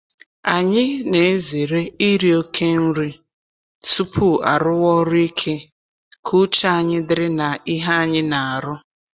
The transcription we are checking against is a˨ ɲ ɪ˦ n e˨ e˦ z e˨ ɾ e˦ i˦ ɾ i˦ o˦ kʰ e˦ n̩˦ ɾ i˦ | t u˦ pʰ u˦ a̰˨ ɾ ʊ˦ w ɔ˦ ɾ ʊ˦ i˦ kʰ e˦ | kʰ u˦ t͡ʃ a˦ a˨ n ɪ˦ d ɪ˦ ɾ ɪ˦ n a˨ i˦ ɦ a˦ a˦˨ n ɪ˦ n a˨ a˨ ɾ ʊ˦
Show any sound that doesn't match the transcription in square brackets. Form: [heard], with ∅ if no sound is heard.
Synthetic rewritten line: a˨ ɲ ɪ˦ n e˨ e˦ z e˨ ɾ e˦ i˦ ɾ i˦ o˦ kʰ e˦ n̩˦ ɾ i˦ | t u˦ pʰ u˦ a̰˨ ɾ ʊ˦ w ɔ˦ ɾ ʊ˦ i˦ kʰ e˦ | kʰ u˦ t͡ʃ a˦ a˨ [ɲ] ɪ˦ d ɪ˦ ɾ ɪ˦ n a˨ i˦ ɦ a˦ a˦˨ [ɲ] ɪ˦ n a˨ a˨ ɾ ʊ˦